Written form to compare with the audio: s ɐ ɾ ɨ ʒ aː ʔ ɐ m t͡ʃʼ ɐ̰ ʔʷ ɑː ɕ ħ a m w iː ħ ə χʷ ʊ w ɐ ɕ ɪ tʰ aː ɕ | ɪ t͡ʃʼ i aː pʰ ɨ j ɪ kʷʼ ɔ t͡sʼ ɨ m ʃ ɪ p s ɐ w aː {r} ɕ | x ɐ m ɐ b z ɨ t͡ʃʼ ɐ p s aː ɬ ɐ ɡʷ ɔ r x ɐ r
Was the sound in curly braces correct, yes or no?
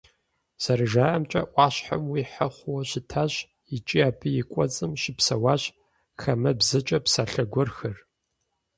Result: no